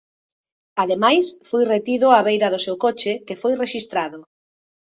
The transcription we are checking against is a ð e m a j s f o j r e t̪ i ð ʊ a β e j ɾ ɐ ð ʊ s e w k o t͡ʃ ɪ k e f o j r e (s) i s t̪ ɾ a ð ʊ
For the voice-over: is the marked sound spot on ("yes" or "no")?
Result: no